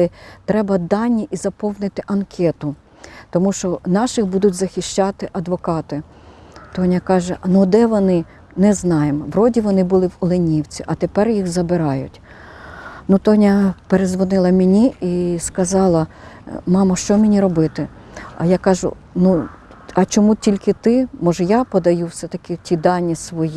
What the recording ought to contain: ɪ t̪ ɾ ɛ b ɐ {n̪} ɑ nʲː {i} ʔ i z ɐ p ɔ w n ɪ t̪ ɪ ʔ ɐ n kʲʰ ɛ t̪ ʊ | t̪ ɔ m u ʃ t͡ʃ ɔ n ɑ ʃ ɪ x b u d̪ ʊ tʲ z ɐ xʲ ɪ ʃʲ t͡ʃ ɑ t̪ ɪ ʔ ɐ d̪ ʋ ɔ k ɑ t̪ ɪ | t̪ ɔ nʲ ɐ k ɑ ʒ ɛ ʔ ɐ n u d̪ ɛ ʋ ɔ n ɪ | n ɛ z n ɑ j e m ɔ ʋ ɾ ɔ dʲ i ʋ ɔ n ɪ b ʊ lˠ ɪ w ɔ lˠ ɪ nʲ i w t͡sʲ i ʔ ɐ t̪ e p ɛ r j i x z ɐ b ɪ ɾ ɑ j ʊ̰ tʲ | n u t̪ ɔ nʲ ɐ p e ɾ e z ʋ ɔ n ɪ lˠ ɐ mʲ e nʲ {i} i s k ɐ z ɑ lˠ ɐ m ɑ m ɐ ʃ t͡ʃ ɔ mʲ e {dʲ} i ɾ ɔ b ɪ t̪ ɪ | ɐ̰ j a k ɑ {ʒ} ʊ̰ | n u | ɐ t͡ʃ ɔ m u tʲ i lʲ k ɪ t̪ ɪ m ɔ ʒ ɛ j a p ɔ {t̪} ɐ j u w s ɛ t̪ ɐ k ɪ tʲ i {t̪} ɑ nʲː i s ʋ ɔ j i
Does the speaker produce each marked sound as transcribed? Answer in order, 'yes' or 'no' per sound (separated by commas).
no, yes, yes, no, yes, no, no